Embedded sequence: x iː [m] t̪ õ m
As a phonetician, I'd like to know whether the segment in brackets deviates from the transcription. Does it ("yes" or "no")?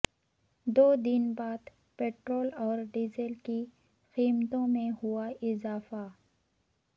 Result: no